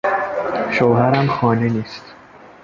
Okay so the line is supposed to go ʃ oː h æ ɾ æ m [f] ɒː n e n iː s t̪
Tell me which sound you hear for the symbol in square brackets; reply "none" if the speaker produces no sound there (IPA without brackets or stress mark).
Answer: x